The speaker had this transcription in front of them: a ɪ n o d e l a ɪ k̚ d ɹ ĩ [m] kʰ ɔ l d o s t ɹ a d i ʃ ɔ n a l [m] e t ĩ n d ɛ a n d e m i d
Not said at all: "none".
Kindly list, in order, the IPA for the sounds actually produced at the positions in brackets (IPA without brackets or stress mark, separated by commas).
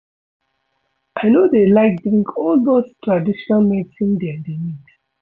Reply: ŋ, m